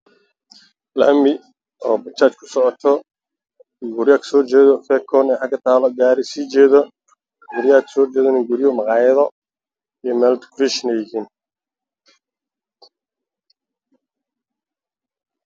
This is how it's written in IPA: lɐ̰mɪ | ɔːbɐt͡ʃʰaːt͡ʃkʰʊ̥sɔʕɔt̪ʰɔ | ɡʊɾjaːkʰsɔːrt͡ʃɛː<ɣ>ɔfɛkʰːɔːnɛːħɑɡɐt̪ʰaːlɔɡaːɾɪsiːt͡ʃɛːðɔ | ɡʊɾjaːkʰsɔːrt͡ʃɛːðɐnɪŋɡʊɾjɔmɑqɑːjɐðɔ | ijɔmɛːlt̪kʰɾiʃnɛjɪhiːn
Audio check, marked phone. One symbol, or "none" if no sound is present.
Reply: ð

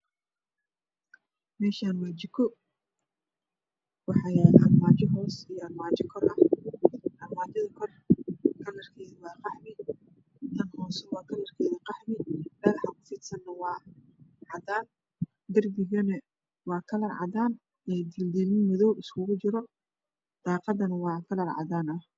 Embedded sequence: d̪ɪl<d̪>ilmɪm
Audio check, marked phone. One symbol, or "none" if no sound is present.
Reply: d̪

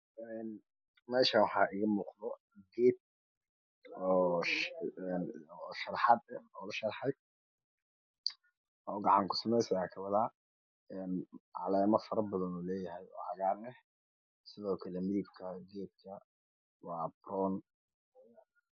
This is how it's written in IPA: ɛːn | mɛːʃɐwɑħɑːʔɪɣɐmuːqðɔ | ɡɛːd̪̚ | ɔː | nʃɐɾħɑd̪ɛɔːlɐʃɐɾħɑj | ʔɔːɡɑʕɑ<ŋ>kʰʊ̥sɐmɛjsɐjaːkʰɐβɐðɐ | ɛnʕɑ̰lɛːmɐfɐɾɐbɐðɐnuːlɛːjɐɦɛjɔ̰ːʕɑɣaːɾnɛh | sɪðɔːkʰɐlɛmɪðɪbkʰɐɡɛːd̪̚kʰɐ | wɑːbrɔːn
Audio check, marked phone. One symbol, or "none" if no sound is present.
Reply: ŋ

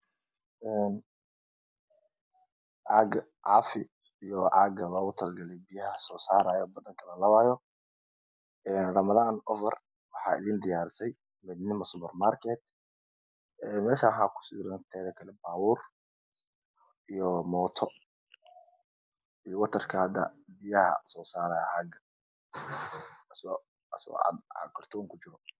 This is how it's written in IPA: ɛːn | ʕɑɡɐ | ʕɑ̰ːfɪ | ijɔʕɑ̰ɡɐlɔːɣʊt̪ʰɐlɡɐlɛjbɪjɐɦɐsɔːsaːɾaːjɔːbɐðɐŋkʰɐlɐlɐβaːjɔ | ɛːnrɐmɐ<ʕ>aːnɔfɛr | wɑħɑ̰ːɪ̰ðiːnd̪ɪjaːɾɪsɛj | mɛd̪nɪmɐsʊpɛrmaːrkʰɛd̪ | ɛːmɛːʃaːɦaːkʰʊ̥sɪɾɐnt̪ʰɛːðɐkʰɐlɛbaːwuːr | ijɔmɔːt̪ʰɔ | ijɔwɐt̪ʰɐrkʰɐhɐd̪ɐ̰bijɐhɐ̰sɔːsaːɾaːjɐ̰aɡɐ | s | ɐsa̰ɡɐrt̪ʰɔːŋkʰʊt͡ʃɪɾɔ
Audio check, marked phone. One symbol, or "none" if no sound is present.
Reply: ð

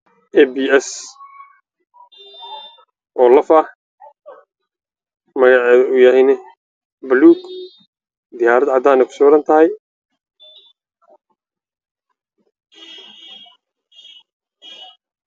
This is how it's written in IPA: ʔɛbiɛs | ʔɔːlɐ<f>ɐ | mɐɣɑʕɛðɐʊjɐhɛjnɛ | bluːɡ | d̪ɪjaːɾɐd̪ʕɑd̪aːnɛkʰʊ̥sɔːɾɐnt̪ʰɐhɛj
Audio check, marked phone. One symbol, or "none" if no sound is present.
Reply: f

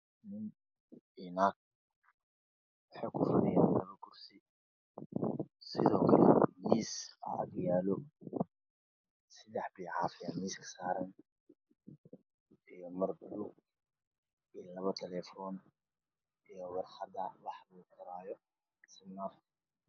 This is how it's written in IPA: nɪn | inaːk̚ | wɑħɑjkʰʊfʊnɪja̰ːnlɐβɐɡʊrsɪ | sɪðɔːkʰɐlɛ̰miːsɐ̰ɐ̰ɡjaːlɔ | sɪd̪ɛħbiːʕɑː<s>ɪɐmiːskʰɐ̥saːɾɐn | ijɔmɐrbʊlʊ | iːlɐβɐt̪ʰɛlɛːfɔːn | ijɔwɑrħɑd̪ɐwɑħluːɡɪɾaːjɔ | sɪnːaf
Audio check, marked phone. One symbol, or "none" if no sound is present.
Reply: f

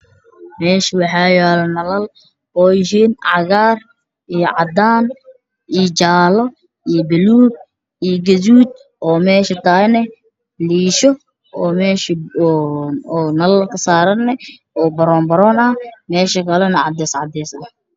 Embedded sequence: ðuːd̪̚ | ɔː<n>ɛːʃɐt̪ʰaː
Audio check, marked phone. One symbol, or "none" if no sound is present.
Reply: m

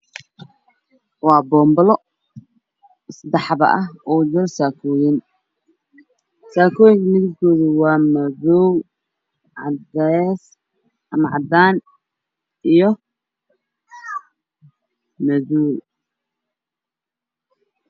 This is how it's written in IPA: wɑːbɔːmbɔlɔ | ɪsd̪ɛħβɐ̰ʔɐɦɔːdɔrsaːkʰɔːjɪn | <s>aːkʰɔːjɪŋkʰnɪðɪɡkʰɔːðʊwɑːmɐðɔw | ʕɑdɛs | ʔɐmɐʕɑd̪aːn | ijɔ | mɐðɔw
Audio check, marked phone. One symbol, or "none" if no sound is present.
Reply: s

